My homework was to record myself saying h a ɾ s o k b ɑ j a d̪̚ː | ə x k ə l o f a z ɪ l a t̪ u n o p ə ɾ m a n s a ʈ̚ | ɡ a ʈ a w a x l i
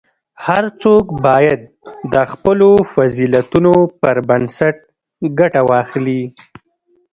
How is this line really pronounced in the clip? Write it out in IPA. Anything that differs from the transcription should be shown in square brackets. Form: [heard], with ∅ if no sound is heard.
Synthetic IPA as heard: h a ɾ [t͡s] o k b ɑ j a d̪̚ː | ə x [p] ə l o f a z [i] l a t̪ u n o p ə ɾ [b] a n s a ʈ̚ | ɡ a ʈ a w [ɑ] x l i